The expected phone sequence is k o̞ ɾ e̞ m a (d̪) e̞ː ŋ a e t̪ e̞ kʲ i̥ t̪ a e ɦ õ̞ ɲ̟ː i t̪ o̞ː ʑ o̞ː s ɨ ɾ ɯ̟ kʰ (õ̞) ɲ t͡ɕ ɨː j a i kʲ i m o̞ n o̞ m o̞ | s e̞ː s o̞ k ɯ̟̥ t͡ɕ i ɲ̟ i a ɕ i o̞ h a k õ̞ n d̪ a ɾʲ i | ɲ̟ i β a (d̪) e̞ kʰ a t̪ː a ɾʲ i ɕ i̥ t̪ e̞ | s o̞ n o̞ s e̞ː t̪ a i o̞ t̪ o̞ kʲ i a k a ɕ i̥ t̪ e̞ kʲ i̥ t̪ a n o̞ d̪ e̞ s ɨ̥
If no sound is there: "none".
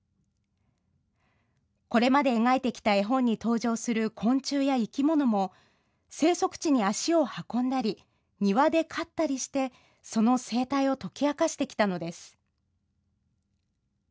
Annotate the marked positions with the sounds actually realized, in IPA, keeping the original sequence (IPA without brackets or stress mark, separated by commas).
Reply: d̪, õ̞, d̪